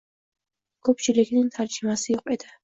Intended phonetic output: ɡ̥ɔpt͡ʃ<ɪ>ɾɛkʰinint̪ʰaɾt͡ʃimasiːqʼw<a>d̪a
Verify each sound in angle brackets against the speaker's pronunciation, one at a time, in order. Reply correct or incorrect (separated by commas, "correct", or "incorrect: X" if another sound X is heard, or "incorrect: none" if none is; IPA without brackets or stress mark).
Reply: incorrect: i, incorrect: ɛ